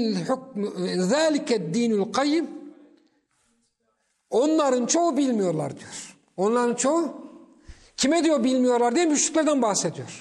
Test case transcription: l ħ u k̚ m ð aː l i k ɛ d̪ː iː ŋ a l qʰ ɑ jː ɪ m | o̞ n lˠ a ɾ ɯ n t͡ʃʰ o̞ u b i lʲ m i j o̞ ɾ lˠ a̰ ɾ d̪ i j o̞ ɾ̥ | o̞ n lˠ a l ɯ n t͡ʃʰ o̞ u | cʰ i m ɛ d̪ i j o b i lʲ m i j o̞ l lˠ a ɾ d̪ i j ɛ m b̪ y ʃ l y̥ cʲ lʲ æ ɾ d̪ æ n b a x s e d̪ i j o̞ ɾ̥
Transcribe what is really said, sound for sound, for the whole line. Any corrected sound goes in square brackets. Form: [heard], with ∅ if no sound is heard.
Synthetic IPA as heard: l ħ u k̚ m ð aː l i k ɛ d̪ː iː [n] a l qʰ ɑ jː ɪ m | o̞ n lˠ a ɾ ɯ n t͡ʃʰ o̞ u b i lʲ m i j o̞ ɾ lˠ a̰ ɾ d̪ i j o̞ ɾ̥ | o̞ n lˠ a [ɾ] ɯ n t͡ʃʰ o̞ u | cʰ i m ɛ d̪ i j o b i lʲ m i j o̞ [ɾ] lˠ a ɾ d̪ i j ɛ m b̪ y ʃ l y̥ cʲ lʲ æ ɾ d̪ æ n b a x s e d̪ i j o̞ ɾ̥